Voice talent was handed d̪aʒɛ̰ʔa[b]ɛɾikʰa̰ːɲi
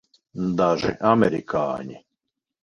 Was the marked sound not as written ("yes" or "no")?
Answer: yes